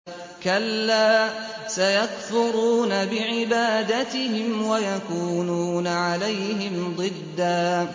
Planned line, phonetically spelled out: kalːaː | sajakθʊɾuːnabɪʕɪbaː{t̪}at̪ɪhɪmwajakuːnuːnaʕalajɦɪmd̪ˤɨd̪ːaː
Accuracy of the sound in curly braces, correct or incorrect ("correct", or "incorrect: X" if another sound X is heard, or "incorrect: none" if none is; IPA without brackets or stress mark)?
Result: incorrect: d̪